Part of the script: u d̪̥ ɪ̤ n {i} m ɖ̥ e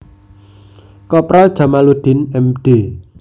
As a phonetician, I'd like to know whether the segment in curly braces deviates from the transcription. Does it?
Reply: yes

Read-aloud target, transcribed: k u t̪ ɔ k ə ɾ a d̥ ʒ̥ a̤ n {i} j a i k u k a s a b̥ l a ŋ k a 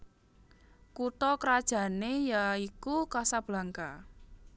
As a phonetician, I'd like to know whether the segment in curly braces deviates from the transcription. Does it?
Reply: yes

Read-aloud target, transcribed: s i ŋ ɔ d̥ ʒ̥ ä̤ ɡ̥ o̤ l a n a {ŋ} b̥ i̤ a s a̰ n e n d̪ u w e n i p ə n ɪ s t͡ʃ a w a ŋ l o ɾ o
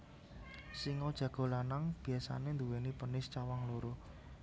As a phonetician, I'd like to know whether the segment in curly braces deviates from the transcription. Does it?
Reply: no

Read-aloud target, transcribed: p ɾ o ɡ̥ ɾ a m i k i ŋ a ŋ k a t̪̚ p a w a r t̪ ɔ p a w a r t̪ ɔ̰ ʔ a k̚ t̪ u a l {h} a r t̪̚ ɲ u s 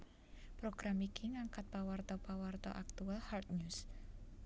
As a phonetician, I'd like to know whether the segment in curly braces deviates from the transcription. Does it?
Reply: no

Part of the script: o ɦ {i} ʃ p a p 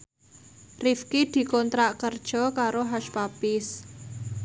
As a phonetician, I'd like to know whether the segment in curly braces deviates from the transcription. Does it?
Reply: yes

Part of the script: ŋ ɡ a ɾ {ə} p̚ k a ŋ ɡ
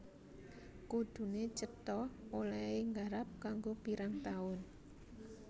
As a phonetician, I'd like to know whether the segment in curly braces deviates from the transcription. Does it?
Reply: yes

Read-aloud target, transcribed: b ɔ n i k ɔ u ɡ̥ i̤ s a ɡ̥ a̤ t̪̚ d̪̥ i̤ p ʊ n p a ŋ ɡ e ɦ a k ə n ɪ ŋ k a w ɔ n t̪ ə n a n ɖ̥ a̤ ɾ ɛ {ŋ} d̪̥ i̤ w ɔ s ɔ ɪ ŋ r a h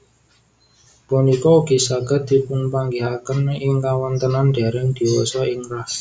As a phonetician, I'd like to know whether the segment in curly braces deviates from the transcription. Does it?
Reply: no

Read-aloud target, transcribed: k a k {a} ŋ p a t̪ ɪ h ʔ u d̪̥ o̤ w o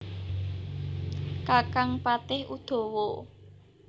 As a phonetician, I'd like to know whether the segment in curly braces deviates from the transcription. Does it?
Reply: no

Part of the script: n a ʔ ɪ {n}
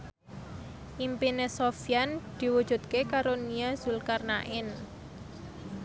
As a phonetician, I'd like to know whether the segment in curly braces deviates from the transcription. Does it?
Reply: no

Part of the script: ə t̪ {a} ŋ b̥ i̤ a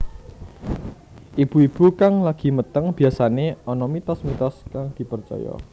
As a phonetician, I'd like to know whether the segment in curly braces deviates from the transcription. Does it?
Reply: yes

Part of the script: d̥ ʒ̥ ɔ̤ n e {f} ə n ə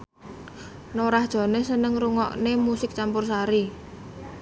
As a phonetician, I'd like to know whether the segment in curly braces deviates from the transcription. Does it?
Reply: yes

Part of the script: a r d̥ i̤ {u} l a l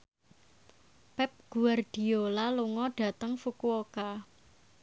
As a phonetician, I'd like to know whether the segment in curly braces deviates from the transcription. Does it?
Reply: yes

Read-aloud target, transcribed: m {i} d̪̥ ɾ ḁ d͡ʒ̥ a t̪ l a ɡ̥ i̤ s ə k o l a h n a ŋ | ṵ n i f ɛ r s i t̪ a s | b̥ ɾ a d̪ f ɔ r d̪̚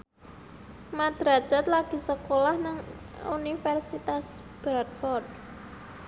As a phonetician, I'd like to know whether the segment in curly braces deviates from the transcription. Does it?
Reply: yes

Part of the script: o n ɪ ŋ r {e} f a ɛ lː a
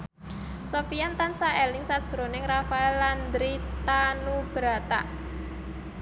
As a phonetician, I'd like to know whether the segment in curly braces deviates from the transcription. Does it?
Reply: yes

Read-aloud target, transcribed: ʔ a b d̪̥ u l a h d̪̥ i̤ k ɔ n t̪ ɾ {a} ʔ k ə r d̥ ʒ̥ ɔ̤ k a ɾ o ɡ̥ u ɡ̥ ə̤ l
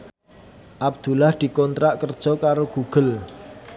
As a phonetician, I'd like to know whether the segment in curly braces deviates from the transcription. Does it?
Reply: no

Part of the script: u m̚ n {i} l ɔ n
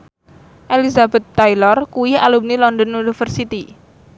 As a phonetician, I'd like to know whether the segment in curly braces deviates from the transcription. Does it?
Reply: no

